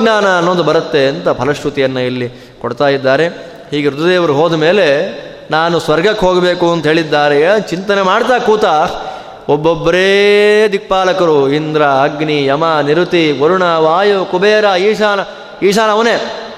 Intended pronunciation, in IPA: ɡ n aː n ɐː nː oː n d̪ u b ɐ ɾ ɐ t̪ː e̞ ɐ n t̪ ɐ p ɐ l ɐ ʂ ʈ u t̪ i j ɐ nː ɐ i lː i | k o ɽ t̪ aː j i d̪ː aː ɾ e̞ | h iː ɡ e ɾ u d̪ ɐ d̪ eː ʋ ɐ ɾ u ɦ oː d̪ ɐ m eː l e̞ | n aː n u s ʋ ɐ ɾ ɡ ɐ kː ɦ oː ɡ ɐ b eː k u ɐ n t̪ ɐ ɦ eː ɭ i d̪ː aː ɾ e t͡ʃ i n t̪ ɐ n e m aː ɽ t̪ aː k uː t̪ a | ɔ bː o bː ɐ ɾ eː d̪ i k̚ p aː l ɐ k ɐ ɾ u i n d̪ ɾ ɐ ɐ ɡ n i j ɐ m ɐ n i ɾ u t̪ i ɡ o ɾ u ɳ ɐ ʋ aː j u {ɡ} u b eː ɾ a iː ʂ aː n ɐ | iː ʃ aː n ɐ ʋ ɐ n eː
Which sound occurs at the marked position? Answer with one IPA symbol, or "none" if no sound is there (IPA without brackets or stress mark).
k